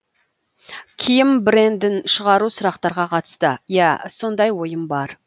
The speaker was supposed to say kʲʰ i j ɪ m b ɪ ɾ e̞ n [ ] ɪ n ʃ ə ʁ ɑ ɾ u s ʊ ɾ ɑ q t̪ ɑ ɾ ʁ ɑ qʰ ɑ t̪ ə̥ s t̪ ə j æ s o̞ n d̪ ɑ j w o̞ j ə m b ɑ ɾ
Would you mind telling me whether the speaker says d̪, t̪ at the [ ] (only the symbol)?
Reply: d̪